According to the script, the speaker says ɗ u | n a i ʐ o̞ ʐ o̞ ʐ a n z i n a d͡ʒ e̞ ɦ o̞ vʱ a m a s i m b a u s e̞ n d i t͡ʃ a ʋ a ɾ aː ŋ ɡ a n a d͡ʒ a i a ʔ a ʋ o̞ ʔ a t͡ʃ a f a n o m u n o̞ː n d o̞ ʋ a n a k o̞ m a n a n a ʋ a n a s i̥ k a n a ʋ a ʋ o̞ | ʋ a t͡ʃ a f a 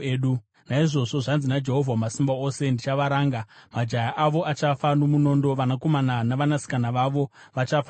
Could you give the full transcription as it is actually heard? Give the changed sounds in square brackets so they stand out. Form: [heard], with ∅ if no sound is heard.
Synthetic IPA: ɗ u | n a i ʐ o̞ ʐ o̞ ʐ a n z i n a d͡ʒ e̞ ɦ o̞ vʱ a m a s i m b a [o] s e̞ n d i t͡ʃ a ʋ a ɾ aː ŋ ɡ a [m] a d͡ʒ a [j] a ʔ a ʋ o̞ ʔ a t͡ʃ a f a n o m u n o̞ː n d o̞ ʋ a n a k o̞ m a n a n a ʋ a n a s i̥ k a n a ʋ a ʋ o̞ | ʋ a t͡ʃ a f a